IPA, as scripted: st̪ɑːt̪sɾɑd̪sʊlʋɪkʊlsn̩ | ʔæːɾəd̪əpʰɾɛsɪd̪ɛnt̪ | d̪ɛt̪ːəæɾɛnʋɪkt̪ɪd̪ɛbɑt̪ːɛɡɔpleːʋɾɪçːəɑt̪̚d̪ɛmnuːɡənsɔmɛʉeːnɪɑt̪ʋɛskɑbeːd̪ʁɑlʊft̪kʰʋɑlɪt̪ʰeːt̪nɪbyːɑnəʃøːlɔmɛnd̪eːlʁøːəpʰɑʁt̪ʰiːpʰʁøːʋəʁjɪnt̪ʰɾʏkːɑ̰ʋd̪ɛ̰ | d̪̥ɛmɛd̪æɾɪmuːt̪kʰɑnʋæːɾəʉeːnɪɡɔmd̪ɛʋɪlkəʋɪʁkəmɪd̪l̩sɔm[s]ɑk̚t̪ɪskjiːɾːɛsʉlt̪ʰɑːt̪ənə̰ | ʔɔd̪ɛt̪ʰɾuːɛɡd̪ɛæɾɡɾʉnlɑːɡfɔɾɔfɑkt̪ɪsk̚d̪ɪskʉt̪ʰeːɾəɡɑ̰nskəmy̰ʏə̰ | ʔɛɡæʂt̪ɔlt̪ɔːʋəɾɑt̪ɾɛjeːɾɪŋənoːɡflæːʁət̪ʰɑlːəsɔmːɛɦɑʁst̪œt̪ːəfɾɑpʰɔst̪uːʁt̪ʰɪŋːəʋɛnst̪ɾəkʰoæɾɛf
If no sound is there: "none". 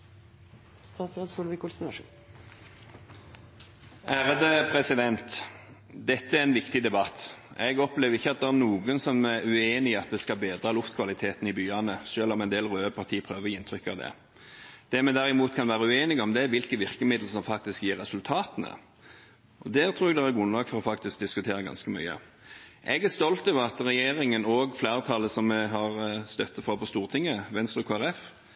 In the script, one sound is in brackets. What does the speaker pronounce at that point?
f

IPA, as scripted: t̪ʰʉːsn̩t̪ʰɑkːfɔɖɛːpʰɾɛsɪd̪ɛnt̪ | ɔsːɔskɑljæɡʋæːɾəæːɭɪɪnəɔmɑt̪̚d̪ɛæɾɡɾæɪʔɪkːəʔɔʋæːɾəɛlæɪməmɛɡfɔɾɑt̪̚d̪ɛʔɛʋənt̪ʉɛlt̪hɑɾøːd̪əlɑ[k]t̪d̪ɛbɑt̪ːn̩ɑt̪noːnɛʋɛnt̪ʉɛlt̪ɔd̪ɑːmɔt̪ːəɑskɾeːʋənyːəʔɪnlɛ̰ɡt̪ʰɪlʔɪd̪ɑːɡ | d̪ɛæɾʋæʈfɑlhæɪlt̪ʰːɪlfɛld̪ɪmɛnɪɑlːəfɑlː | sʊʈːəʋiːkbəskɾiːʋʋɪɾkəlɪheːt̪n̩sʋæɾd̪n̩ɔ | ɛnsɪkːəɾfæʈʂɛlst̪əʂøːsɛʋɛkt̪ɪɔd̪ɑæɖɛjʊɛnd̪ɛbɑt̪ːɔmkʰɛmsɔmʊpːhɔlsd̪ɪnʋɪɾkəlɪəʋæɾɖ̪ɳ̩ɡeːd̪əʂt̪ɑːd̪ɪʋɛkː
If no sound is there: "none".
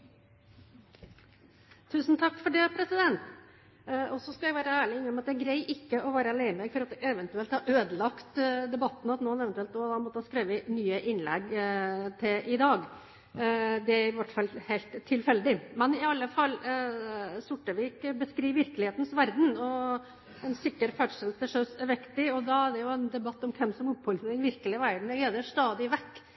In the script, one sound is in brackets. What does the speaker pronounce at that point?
k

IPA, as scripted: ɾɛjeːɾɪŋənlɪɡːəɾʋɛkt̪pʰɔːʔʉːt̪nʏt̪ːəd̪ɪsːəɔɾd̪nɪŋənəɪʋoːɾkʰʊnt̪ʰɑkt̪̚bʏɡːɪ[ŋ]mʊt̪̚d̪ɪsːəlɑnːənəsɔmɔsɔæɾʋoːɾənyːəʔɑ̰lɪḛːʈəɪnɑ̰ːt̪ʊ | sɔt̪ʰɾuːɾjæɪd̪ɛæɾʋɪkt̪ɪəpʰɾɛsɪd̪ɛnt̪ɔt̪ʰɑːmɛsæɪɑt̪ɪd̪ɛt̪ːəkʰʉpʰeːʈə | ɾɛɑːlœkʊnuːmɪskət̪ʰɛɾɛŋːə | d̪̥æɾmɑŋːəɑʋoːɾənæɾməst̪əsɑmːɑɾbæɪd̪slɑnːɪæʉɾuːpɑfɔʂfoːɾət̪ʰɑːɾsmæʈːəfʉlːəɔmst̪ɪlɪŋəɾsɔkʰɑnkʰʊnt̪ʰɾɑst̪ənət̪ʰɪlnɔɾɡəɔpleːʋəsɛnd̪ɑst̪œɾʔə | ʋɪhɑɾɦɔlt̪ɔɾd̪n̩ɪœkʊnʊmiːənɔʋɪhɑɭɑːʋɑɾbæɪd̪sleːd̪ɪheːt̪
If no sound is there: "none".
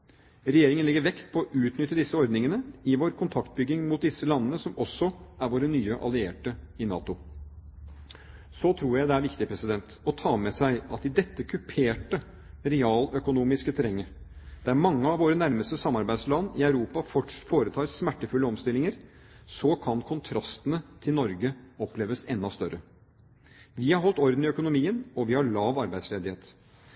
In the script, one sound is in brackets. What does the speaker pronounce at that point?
ŋ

